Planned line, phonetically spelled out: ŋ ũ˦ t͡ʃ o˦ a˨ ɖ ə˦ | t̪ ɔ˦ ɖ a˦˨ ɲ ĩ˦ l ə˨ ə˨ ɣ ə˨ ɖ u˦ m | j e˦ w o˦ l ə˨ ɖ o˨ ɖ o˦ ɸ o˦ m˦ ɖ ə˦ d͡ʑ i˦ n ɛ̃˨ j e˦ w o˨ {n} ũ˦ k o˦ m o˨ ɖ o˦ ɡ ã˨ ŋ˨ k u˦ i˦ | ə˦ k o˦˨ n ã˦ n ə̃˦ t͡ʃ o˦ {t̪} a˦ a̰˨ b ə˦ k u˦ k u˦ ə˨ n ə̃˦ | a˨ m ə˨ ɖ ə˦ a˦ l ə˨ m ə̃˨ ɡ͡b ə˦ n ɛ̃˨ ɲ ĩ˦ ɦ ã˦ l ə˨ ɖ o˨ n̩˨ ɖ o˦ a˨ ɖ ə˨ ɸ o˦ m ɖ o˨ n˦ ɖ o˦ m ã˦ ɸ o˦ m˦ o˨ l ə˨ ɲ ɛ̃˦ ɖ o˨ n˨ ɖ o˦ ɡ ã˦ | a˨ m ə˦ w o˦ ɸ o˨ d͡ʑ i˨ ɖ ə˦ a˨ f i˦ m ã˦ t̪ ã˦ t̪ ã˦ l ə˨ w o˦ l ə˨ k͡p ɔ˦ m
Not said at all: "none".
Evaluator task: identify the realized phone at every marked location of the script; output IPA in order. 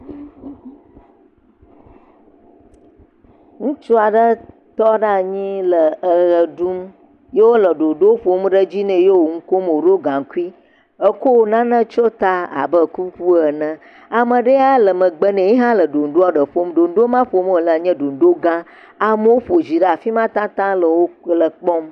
ŋ, t̪

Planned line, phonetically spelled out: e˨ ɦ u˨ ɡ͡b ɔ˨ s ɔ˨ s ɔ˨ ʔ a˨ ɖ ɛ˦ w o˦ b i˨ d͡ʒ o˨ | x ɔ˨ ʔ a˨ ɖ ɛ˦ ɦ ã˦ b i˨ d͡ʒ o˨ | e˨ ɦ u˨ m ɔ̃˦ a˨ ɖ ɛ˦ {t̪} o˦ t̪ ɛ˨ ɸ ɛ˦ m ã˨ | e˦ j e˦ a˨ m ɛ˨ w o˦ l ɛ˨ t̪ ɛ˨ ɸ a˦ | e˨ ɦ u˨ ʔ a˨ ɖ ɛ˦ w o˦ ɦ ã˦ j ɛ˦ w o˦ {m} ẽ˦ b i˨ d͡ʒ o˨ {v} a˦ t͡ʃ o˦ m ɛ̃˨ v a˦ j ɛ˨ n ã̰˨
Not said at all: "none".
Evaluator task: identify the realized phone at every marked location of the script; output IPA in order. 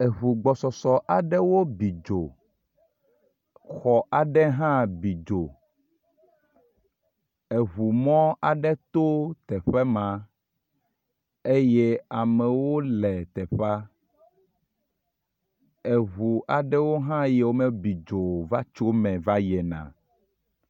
t̪, m, v

